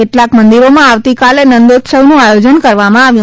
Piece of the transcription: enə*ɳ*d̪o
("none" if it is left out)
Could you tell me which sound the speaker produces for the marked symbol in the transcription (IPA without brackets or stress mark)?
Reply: n